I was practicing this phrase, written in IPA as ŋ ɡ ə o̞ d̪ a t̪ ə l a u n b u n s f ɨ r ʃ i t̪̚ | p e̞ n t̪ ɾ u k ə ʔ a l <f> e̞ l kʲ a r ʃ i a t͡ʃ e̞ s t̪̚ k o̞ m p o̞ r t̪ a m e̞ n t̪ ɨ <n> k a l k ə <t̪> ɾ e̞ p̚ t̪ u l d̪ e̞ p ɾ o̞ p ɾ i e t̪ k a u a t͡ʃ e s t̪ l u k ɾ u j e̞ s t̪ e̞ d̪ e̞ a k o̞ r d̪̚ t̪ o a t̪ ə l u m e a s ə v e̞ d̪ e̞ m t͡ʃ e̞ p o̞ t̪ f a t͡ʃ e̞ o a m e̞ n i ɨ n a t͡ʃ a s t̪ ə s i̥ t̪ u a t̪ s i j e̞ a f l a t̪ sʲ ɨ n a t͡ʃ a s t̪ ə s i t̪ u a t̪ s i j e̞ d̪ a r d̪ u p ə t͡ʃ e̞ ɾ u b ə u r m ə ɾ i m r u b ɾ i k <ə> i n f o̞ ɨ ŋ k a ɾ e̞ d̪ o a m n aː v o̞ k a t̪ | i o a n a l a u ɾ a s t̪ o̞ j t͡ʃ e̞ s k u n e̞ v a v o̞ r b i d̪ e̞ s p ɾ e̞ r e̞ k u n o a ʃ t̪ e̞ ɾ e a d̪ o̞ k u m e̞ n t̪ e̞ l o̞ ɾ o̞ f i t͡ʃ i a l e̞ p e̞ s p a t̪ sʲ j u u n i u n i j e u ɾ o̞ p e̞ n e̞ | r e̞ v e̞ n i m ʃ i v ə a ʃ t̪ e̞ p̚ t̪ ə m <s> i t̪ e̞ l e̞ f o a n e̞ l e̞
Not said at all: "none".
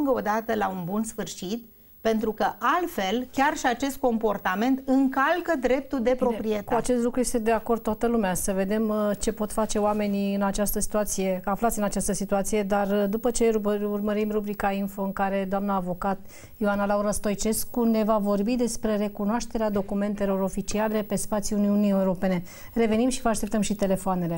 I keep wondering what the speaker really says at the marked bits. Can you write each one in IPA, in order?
f, ŋ, d̪, a, ʃ

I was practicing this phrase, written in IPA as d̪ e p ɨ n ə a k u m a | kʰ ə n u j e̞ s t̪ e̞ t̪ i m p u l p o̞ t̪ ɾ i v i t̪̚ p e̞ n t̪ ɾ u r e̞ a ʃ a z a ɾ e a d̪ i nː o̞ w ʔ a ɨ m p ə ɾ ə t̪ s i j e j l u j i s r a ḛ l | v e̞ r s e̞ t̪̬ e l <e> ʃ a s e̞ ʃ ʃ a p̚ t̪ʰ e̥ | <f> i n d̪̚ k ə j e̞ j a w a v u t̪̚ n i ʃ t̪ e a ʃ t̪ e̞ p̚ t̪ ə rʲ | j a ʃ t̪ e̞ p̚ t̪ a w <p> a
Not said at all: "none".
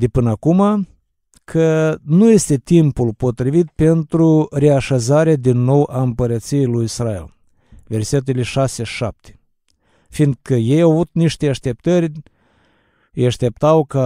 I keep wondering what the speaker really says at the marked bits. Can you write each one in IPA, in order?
e, f, k

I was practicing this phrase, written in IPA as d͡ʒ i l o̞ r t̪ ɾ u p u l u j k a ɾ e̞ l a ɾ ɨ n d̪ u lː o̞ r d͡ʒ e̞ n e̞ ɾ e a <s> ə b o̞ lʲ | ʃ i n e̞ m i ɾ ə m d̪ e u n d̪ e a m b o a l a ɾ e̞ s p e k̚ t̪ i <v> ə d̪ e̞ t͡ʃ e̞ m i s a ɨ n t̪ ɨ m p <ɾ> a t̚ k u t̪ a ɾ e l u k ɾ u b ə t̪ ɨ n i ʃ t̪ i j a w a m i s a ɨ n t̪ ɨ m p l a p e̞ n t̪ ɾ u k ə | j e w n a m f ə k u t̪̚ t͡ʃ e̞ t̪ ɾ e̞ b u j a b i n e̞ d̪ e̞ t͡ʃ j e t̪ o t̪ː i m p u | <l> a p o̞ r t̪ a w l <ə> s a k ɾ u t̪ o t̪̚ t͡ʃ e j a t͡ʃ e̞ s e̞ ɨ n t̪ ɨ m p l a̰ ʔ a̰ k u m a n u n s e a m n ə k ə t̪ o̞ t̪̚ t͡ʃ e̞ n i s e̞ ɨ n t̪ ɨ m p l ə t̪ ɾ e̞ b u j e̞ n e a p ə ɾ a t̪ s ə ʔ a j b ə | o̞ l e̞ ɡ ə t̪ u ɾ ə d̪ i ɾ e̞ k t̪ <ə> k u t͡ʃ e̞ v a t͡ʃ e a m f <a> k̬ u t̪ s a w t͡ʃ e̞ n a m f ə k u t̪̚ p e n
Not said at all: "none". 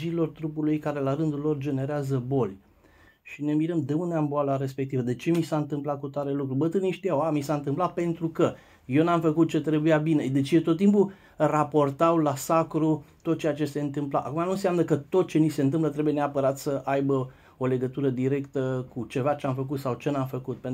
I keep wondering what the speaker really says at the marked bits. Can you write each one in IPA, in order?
z, v, l, r, a, ə, ə

